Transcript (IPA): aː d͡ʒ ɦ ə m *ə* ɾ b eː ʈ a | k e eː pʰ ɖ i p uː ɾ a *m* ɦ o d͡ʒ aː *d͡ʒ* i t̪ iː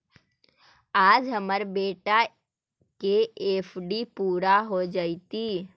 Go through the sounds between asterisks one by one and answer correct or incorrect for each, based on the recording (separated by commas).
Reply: correct, incorrect, incorrect